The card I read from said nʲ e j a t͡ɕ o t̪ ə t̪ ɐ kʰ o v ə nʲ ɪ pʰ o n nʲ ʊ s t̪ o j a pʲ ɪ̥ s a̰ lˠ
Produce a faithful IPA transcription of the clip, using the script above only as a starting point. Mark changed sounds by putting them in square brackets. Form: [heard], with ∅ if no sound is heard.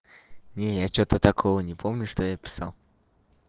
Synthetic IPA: nʲ e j a t͡ɕ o t̪ ə t̪ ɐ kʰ o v ə nʲ ɪ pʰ o [m] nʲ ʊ [ʂ] t̪ o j a pʲ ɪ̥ s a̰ lˠ